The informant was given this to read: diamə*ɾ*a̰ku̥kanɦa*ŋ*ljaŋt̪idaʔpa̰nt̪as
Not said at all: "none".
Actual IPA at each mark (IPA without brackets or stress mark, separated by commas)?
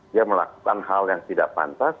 l, none